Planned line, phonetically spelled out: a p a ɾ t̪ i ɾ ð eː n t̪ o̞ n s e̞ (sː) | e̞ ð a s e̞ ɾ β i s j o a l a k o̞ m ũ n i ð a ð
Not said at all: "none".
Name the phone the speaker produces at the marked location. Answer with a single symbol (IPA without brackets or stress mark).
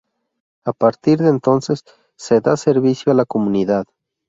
sː